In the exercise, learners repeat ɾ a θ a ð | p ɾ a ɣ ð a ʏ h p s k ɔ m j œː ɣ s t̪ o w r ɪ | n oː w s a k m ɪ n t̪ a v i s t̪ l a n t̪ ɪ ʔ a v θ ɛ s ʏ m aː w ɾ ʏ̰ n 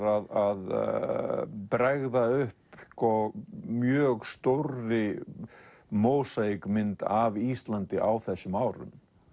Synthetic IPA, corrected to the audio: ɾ a ð a ð | p ɾ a ɣ ð a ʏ h p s k ɔ m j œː ɣ s t̪ o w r ɪ | m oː w s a k m ɪ n t̪ a v i s t̪ l a n t̪ ɪ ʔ a w θ ɛ s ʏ m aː w ɾ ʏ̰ m